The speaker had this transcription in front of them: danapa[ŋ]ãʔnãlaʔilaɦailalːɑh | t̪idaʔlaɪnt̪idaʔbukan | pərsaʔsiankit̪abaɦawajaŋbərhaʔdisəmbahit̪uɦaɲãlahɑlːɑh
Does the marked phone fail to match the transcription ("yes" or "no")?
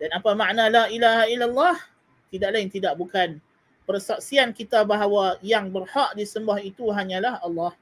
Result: yes